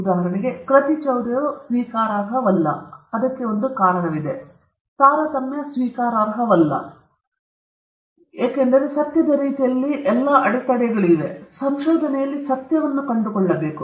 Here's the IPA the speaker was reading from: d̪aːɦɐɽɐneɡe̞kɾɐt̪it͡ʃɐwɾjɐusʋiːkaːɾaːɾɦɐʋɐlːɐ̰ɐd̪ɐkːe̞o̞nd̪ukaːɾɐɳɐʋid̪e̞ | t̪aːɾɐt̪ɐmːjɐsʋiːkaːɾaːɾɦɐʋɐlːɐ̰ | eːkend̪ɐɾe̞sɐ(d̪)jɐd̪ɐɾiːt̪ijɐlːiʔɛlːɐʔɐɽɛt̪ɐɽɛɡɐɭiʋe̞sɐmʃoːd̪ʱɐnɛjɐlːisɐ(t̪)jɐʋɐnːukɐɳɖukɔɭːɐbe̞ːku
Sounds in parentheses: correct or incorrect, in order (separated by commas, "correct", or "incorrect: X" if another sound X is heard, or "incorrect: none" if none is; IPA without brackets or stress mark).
incorrect: t̪, correct